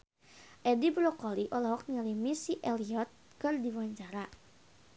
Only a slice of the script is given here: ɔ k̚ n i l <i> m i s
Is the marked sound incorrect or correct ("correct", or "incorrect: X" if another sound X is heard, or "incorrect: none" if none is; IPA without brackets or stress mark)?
correct